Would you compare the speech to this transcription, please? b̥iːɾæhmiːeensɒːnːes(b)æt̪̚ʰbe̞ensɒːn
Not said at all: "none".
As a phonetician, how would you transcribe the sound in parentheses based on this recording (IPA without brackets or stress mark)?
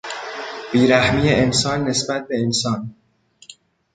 b